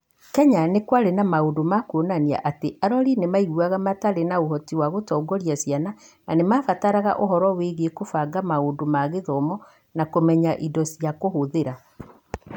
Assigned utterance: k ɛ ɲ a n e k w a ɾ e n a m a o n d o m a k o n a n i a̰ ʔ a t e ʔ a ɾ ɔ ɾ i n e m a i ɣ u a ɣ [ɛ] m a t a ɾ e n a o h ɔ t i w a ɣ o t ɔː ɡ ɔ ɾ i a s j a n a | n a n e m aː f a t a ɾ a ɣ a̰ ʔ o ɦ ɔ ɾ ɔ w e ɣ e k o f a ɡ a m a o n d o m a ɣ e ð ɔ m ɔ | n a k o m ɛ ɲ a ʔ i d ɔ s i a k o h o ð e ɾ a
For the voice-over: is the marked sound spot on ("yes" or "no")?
no